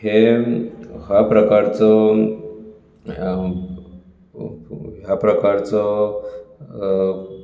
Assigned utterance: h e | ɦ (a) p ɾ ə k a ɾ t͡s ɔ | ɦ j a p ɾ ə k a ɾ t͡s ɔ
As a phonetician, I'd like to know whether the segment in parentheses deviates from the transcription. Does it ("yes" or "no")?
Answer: no